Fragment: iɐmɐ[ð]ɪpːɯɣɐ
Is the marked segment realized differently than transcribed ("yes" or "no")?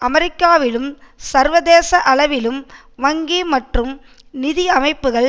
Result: yes